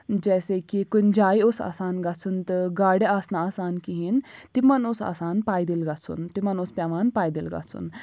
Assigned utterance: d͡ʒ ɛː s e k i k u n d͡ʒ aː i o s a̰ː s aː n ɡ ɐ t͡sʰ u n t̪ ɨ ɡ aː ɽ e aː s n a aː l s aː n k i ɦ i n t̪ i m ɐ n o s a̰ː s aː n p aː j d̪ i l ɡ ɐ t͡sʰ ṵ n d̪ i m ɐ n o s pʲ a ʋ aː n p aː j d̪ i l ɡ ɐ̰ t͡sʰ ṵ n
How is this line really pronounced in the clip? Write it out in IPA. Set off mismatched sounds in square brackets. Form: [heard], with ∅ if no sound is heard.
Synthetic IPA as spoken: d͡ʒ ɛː s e k i k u n d͡ʒ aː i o s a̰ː s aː n ɡ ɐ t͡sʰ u n t̪ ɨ ɡ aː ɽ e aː s n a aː [∅] s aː n k i ɦ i n t̪ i m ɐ n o s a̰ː s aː n p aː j d̪ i l ɡ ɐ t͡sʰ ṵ n [t̪] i m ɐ n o s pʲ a ʋ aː n p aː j d̪ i l ɡ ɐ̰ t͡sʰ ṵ n

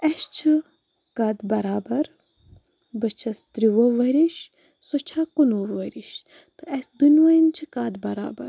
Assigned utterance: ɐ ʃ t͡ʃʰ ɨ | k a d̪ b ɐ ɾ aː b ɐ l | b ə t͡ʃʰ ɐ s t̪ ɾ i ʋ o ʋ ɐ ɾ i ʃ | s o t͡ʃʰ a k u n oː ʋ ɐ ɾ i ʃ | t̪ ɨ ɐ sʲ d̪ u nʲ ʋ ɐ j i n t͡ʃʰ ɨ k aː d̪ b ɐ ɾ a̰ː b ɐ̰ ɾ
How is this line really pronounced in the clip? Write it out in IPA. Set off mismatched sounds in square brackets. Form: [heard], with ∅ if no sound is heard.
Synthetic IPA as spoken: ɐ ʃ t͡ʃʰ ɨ | k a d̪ b ɐ ɾ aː b ɐ [ɾ] | b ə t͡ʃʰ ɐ s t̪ ɾ i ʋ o ʋ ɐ ɾ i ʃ | s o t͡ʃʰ a k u n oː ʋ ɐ ɾ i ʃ | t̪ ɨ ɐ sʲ d̪ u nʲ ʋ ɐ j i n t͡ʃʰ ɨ k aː d̪ b ɐ ɾ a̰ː b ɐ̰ ɾ

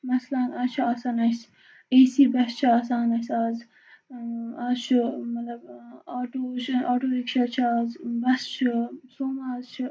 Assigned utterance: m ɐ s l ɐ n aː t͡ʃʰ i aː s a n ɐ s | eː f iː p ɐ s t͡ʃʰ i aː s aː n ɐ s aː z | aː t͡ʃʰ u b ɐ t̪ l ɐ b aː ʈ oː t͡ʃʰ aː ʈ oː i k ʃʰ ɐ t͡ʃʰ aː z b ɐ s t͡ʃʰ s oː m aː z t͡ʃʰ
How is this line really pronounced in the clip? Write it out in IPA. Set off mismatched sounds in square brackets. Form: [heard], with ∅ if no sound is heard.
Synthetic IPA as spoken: m ɐ s l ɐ n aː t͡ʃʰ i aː s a n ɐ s | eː [s] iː [b] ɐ s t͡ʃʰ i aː s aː n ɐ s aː z | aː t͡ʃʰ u [m] ɐ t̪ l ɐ b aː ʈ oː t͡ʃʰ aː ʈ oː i k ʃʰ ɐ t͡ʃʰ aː z b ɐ s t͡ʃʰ s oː m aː z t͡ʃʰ

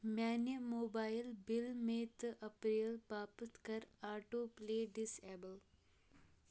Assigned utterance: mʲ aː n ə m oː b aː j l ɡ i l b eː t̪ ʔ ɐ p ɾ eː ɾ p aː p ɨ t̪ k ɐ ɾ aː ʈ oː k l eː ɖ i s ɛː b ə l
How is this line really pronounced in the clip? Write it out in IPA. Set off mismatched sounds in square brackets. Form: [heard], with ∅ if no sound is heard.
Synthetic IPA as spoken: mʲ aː n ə m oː b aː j l [b] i l [m] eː t̪ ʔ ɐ p ɾ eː [l] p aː p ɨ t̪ k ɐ ɾ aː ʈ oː [p] l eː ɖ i s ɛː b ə l

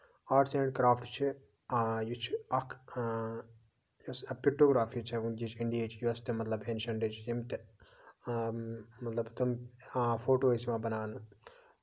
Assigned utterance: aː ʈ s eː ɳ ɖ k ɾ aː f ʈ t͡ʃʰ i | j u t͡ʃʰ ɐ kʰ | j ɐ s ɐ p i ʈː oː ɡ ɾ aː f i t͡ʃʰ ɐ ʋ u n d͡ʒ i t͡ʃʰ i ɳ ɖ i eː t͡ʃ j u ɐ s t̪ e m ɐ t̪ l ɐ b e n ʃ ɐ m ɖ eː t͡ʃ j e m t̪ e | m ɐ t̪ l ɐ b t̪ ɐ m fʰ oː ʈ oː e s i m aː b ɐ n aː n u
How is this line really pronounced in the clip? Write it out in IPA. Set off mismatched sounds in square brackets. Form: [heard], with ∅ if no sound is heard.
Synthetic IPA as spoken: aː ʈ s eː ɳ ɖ k ɾ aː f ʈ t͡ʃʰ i | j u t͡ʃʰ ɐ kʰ | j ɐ s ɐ p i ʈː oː ɡ ɾ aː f i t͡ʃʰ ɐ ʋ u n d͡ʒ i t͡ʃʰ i ɳ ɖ i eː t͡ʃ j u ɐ s t̪ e m ɐ t̪ l ɐ b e n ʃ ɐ [ɳ] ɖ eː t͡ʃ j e m t̪ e | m ɐ t̪ l ɐ b t̪ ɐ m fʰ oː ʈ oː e s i m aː b ɐ n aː n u

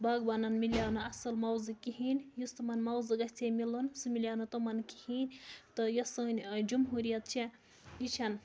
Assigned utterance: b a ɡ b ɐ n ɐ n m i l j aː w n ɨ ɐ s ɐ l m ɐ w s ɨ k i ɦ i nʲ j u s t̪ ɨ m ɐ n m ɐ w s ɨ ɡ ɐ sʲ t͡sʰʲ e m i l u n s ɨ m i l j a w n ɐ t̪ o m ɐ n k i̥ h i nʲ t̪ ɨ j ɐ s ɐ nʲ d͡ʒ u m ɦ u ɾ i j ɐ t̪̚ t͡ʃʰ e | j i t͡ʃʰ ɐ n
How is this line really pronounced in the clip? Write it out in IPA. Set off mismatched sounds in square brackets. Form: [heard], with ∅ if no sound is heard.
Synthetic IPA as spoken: b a ɡ b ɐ n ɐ n m i l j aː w n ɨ ɐ s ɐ l m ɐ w [z] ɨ k i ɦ i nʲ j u s t̪ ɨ m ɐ n m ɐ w [z] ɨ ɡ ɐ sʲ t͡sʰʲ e m i l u n s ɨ m i l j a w n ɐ t̪ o m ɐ n k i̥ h i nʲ t̪ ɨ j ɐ s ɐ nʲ d͡ʒ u m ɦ u ɾ i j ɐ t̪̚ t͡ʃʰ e | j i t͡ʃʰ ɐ n

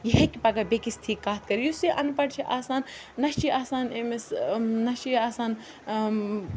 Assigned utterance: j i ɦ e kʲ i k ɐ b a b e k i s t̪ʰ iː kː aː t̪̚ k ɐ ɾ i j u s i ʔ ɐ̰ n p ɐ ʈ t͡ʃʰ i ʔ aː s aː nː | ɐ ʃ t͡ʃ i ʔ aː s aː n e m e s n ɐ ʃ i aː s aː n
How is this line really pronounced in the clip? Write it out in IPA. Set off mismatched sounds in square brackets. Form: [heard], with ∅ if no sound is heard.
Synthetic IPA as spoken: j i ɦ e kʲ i [p] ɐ [ɡ] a b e k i s t̪ʰ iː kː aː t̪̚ k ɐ ɾ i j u s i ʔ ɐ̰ n p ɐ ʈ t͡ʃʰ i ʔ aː s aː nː | ɐ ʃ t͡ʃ i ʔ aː s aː n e m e s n ɐ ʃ i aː s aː n

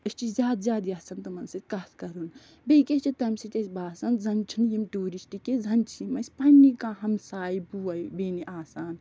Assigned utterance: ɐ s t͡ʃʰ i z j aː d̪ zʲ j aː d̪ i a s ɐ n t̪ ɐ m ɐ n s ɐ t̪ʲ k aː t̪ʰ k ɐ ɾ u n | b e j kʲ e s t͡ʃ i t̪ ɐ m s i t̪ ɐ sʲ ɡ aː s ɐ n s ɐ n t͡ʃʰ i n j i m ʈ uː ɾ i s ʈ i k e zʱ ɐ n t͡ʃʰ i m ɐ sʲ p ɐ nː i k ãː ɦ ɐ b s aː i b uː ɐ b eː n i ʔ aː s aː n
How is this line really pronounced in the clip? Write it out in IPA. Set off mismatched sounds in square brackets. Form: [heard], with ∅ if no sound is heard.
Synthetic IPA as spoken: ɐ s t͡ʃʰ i z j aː d̪ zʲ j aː d̪ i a s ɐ n t̪ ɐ m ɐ n s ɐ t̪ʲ k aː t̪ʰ k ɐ ɾ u n | b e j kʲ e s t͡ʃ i t̪ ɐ m s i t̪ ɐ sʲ [b] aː s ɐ n [z] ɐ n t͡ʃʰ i n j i m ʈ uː ɾ i s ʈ i k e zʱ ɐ n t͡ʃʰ i m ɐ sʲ p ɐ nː i k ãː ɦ ɐ [m] s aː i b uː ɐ b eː n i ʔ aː s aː n

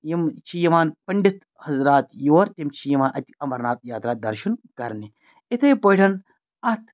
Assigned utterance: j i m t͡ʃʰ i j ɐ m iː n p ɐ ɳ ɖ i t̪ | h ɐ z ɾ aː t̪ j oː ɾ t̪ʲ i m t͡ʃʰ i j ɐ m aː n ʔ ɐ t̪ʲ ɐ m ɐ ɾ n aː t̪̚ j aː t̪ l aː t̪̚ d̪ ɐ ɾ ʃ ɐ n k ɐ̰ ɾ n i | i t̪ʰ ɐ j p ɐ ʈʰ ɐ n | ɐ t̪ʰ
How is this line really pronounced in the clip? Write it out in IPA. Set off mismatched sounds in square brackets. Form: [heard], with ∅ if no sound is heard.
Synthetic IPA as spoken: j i m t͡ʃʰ i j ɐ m [aː] n p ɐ ɳ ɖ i t̪ | h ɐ z ɾ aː t̪ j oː ɾ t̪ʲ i m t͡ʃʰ i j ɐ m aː n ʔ ɐ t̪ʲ ɐ m ɐ ɾ n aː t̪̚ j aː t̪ [ɾ] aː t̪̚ d̪ ɐ ɾ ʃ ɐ n k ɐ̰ ɾ n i | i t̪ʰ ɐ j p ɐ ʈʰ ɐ n | ɐ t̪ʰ

